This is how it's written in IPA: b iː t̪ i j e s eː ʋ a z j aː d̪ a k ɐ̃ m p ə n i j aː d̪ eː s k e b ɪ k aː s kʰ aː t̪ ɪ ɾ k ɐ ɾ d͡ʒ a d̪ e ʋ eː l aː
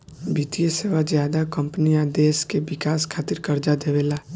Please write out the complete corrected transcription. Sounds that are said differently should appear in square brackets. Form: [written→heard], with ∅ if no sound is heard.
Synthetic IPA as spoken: b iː t̪ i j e s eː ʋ a z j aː d̪ a k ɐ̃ m p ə n i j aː d̪ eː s k e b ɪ k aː s kʰ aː t̪ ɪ ɾ k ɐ ɾ d͡ʒ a d̪ e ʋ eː l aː